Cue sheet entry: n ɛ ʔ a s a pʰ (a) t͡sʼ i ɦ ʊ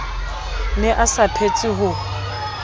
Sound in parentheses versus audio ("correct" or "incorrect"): incorrect